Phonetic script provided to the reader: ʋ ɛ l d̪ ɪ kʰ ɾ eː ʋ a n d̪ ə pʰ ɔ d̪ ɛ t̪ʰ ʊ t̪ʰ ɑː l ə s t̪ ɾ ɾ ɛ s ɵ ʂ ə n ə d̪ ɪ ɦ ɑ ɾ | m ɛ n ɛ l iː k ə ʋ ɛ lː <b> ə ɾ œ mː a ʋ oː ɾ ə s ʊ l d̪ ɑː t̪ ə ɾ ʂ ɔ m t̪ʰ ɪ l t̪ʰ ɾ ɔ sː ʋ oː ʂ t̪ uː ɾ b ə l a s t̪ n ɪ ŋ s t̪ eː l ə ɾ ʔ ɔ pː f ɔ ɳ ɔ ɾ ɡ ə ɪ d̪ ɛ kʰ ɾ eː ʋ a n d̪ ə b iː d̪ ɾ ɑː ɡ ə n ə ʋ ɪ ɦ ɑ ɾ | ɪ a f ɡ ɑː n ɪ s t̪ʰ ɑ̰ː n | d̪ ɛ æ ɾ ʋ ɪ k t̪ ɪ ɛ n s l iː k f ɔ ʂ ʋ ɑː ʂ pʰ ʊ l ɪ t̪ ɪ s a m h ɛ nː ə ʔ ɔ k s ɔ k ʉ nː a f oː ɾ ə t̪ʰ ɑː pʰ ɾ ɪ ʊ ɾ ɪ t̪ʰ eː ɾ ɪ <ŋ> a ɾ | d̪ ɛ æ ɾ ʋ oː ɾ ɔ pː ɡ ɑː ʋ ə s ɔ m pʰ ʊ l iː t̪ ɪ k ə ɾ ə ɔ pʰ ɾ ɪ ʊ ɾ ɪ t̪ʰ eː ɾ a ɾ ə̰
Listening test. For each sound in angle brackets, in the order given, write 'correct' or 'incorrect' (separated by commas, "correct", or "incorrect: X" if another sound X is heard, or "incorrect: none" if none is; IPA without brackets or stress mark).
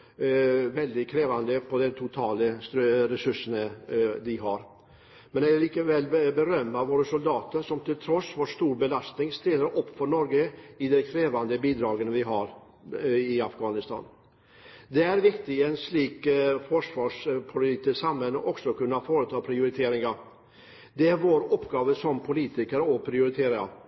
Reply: correct, correct